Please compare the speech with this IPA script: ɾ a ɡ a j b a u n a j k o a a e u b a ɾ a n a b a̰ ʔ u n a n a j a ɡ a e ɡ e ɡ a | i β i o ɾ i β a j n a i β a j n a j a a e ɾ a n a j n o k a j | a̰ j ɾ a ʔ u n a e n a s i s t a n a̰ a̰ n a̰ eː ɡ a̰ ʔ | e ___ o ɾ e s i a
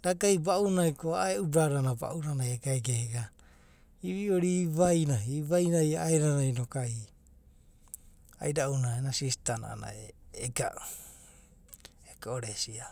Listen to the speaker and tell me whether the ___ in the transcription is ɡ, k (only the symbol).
k